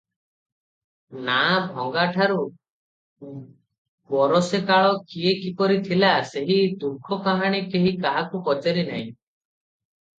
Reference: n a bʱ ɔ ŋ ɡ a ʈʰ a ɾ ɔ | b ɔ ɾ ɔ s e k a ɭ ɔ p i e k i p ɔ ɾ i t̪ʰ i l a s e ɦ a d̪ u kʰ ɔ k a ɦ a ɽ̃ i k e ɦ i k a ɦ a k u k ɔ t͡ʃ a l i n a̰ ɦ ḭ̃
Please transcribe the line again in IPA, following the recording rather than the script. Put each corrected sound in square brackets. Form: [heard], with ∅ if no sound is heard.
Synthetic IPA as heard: n a bʱ ɔ ŋ ɡ a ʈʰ a ɾ [u] | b ɔ ɾ ɔ s e k a ɭ ɔ [k] i e k i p ɔ ɾ i t̪ʰ i l a s e ɦ [i] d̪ u kʰ ɔ k a ɦ a ɽ̃ i k e ɦ i k a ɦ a k u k ɔ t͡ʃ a [ɾ] i n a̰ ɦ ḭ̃